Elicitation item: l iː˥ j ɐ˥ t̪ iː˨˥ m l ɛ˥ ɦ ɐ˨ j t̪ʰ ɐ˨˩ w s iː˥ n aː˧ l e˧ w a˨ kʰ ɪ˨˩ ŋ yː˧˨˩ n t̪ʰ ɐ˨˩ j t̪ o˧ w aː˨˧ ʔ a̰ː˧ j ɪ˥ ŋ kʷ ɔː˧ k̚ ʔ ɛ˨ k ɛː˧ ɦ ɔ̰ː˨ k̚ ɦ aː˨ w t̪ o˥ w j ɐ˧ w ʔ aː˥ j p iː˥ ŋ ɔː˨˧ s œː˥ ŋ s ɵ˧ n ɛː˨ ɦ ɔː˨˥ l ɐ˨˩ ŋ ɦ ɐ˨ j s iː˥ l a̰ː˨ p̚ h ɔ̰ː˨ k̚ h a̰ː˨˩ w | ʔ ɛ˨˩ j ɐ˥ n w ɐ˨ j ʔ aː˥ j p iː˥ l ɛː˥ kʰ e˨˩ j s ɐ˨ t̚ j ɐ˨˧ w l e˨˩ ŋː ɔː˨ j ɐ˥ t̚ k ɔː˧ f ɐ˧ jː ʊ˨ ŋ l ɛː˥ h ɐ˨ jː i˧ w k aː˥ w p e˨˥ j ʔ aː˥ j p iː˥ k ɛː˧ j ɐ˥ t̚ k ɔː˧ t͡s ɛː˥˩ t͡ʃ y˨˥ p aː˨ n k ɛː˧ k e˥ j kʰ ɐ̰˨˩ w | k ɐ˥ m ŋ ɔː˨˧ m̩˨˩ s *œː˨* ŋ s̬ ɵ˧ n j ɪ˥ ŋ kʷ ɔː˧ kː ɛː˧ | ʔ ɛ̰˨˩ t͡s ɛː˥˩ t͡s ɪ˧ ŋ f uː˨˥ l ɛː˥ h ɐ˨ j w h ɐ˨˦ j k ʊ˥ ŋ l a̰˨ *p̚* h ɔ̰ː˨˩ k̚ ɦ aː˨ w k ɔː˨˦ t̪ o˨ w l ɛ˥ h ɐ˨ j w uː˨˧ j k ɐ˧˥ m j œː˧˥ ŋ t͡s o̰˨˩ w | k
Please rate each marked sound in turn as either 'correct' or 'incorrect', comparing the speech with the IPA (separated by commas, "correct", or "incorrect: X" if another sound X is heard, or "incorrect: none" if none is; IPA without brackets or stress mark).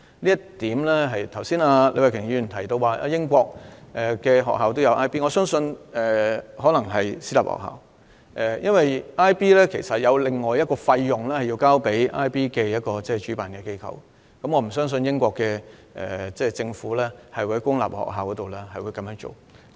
incorrect: œː˥, correct